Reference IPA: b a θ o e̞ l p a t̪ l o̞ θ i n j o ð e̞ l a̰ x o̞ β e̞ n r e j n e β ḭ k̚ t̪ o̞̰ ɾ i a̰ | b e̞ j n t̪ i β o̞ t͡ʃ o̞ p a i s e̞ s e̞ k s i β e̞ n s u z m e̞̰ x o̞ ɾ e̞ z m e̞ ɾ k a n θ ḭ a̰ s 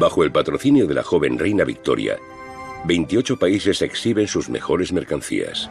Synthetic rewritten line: b a x o e̞ l p a t̪ ɾ o̞ θ i n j o ð e̞ l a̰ x o̞ β e̞ n r e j n a β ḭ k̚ t̪ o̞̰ ɾ j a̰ | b e̞ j n t̪ i o̞ t͡ʃ o̞ p a i s e̞ s e̞ k s i β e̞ n s u z m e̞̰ x o̞ ɾ e̞ z m e̞ ɾ k a n θ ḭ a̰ s